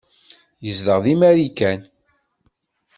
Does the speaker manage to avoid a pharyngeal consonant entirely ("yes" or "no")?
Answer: yes